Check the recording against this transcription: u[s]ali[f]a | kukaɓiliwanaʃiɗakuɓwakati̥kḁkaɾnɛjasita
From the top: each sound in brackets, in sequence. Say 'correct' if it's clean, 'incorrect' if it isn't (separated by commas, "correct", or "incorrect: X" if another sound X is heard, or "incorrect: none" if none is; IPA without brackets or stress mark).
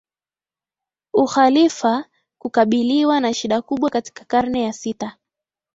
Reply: incorrect: x, correct